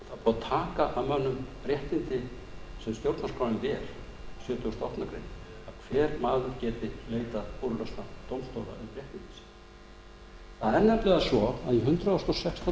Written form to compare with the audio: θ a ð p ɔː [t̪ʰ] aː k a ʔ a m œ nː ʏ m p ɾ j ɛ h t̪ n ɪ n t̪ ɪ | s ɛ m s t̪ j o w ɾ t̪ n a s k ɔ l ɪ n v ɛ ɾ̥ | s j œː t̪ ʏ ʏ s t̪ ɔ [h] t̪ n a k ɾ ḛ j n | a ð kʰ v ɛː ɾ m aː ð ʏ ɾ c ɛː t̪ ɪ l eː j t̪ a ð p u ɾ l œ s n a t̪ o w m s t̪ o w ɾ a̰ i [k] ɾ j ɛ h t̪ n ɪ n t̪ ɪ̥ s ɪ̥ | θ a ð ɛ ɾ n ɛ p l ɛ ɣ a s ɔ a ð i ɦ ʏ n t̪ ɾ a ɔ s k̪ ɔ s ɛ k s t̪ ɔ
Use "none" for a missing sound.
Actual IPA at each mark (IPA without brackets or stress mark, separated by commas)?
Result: t̪ʰ, h, p